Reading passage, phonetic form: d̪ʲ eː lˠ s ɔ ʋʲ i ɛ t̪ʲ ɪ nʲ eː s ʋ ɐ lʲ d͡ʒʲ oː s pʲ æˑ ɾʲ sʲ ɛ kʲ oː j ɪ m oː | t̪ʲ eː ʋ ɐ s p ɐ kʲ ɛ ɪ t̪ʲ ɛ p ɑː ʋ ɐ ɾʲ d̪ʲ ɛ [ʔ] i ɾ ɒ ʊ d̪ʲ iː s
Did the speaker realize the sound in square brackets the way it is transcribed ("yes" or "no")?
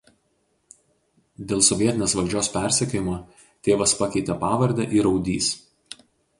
yes